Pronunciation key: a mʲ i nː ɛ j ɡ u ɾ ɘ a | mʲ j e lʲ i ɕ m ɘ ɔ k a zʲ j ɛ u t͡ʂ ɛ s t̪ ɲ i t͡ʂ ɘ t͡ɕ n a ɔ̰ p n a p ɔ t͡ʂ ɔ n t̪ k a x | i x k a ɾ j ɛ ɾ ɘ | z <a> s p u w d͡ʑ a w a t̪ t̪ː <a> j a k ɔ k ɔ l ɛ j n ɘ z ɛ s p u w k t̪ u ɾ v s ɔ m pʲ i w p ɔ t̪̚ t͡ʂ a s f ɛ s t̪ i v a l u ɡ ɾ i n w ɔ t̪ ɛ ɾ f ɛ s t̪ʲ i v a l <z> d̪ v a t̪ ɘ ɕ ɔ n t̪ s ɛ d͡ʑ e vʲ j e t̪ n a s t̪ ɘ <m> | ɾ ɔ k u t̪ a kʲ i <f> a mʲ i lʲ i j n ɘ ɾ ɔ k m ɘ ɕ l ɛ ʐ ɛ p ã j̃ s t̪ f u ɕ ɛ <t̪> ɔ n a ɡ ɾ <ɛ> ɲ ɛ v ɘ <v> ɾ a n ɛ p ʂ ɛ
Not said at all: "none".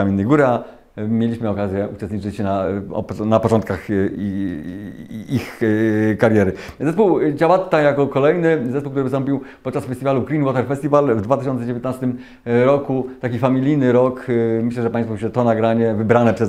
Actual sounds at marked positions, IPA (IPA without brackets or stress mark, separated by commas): ɛ, a, v, m, f, t̪, a, b